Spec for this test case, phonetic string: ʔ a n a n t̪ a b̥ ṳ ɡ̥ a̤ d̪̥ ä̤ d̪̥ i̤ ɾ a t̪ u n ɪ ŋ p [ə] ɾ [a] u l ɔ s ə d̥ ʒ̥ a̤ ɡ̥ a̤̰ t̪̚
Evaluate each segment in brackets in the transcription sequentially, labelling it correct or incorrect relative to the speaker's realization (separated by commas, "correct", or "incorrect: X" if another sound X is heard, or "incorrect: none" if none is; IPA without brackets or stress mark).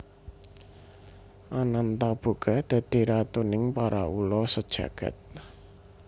incorrect: a, correct